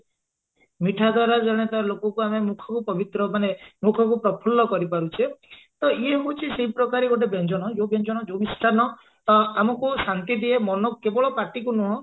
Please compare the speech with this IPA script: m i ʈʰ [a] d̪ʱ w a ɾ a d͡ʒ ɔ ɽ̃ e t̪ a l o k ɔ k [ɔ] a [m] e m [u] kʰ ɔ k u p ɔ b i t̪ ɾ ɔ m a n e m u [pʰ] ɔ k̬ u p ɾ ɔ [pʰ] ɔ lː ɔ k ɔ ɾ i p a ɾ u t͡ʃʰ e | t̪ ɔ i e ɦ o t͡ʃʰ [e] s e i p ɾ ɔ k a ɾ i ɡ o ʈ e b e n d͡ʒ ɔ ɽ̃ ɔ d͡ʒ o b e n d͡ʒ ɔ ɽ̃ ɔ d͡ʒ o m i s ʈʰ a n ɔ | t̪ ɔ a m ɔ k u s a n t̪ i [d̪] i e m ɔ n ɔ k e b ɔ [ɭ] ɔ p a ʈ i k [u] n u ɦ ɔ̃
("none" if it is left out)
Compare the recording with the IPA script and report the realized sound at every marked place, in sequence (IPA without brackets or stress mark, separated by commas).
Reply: a, u, m, u, kʰ, pʰ, i, d̪, ɭ, u